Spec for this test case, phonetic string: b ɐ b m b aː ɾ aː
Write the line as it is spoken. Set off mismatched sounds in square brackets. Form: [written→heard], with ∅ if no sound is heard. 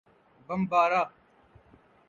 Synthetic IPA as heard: b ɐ [b→∅] m b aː ɾ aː

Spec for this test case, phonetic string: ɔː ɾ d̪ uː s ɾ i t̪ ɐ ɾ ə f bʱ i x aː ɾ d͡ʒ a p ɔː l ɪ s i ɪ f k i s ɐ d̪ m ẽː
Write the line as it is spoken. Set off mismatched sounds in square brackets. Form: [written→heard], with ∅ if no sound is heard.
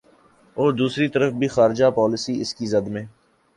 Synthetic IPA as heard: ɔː ɾ d̪ uː s ɾ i t̪ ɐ ɾ ə f bʱ i x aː ɾ d͡ʒ a p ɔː l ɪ s i ɪ [f→s] k i [s→z] ɐ d̪ m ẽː

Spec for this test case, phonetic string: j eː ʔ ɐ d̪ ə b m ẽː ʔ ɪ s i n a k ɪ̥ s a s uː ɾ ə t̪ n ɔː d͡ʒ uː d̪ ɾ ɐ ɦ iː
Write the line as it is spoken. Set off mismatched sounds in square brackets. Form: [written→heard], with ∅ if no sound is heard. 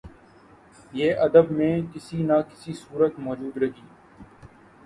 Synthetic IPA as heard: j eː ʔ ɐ d̪ ə b m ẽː [ʔ→k] ɪ s i n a k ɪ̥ s [a→i] s uː ɾ ə t̪ [n→m] ɔː d͡ʒ uː d̪ ɾ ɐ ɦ iː

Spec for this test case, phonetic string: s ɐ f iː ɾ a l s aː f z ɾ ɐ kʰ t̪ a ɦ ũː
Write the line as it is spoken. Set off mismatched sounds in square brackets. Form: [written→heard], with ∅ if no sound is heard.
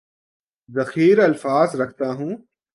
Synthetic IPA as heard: [s→z] ɐ [f→x] iː ɾ [a→ɐ] l [s→f] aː [f→∅] z ɾ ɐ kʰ t̪ a ɦ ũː

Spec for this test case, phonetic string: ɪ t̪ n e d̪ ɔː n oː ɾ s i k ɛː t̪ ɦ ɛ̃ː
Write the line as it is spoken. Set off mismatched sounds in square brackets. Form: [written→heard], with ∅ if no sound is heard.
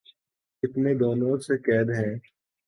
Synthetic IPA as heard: ɪ t̪ n e d̪ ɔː n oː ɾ s [i→e] k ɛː [t̪→d̪] ɦ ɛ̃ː

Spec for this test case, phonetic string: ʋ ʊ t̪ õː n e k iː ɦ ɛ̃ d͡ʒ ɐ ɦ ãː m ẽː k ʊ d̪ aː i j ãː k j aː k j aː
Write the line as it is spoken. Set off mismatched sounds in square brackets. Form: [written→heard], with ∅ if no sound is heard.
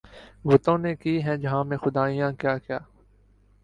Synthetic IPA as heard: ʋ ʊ t̪ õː n e k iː ɦ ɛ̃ d͡ʒ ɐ ɦ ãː m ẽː [k→x] ʊ d̪ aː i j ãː k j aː k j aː

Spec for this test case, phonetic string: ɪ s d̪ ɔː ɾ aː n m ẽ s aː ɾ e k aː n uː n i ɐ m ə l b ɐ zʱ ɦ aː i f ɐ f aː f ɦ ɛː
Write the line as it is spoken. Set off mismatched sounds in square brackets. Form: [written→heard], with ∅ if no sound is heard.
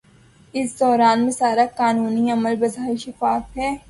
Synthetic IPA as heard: ɪ s d̪ ɔː ɾ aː n m ẽ s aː ɾ [e→a] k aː n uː n i ɐ m ə l b ɐ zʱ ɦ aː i [f→ʃ] ɐ f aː f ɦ ɛː

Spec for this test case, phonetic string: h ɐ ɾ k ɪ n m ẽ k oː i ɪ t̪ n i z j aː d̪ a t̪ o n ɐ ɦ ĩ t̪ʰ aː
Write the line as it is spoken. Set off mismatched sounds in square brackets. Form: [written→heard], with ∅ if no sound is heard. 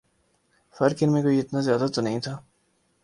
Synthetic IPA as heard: [h→f] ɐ ɾ k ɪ n m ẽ k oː i ɪ t̪ n [i→a] z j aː d̪ a t̪ o n ɐ ɦ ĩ t̪ʰ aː

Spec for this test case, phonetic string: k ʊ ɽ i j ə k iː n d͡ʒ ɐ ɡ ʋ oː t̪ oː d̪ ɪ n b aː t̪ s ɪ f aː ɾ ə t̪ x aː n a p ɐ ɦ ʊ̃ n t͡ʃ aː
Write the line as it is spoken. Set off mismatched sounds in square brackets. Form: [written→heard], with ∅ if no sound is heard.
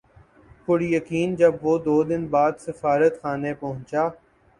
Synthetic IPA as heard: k ʊ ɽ i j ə k iː n d͡ʒ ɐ [ɡ→b] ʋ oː [t̪→d̪] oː d̪ ɪ n b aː [t̪→d̪] s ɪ f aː ɾ ə t̪ x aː n [a→e] p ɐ ɦ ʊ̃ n t͡ʃ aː

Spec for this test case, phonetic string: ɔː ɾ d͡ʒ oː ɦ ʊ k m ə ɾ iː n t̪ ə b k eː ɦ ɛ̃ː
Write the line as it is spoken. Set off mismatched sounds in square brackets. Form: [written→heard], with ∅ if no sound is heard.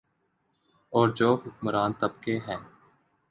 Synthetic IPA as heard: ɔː ɾ d͡ʒ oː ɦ ʊ k m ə ɾ [iː→aː] n t̪ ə b k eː ɦ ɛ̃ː

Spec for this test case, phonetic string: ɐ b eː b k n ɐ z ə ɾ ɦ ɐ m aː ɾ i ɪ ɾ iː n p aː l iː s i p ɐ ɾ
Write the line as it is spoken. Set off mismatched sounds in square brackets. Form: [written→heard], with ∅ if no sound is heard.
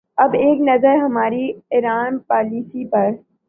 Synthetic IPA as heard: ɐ b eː [b→∅] k n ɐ z ə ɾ ɦ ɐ m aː ɾ i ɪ ɾ [iː→aː] n p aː l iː s i p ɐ ɾ

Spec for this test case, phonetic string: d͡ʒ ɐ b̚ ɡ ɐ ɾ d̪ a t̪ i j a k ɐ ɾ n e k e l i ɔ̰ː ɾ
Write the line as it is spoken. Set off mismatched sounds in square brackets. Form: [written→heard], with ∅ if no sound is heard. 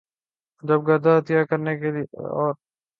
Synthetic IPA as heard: d͡ʒ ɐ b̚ ɡ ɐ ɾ d̪ a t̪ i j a k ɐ ɾ n e k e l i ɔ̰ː ɾ

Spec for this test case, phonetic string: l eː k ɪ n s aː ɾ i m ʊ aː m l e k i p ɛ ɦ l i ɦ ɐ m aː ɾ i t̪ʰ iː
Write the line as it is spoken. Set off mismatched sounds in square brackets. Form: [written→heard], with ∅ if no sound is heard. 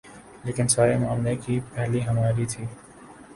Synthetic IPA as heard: l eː k ɪ n s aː ɾ [i→e] m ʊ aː m l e k i p ɛ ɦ l i ɦ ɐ m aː ɾ i t̪ʰ iː

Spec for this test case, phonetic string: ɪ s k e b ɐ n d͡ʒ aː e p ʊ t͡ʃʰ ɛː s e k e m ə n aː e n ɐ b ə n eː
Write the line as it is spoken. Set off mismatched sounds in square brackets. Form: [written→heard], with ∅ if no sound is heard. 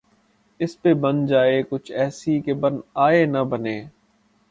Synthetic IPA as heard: ɪ s [k→p] e b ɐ n d͡ʒ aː e [p→k] ʊ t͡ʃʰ ɛː s [e→i] k e [m→b] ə n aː e n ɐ b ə n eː

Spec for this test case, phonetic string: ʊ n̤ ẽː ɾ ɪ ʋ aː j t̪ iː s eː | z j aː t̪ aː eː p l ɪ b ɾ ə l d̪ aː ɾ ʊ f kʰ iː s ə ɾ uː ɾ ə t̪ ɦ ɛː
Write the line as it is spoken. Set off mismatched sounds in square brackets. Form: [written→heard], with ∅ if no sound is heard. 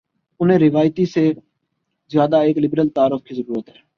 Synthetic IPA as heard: ʊ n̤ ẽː ɾ ɪ ʋ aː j t̪ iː s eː | z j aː [t̪→d̪] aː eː [p→k] l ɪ b ɾ ə l [d̪→t̪] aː ɾ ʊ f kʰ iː [s→z] ə ɾ uː ɾ ə t̪ ɦ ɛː

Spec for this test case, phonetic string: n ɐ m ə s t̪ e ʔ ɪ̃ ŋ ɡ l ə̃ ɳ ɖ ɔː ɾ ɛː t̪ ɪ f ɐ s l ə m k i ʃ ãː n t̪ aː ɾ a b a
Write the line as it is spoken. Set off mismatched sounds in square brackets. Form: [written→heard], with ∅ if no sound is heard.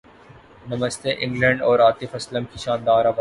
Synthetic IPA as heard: n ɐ m ə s t̪ e ʔ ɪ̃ ŋ ɡ l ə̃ ɳ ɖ ɔː ɾ [ɛː→aː] t̪ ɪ f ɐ s l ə m k i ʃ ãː n [t̪→d̪] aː ɾ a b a

